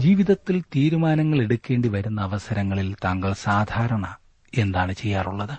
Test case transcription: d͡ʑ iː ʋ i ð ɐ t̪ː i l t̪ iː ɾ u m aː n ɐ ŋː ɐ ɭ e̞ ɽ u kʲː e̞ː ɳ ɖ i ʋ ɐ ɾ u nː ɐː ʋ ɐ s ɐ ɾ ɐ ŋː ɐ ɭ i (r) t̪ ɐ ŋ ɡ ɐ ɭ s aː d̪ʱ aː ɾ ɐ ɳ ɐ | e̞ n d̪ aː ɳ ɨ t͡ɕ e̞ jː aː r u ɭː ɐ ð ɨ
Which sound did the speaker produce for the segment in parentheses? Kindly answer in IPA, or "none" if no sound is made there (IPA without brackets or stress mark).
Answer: l